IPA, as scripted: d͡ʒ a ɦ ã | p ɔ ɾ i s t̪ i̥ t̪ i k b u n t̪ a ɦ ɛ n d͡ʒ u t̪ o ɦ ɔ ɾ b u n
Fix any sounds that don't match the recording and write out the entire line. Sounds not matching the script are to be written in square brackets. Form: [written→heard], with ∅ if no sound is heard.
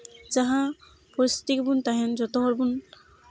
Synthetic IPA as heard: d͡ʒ a ɦ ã | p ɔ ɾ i s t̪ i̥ t̪ i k b u n t̪ a ɦ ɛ n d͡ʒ [u→ɔ] t̪ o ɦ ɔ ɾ b u n